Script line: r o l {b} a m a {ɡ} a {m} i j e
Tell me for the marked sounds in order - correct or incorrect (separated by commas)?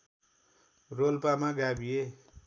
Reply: incorrect, correct, incorrect